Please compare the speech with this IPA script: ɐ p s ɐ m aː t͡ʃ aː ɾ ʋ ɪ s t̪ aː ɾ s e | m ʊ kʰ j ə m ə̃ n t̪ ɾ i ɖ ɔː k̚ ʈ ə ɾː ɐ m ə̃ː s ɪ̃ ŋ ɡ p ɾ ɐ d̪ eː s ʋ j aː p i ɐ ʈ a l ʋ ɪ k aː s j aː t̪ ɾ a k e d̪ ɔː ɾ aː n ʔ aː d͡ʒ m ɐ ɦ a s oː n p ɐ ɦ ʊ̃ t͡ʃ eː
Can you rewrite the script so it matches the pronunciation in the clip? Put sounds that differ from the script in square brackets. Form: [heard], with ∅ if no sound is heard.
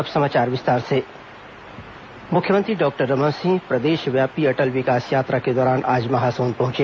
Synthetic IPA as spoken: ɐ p s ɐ m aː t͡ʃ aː ɾ ʋ ɪ s t̪ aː ɾ s e | m ʊ kʰ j ə m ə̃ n t̪ ɾ i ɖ ɔː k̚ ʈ ə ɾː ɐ m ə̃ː s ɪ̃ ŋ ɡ p ɾ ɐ d̪ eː [ʃ] ʋ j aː p i ɐ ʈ [ə] l ʋ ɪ k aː s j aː t̪ ɾ a k e d̪ ɔː ɾ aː n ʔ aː d͡ʒ m ɐ ɦ a s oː n p ɐ ɦ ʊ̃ t͡ʃ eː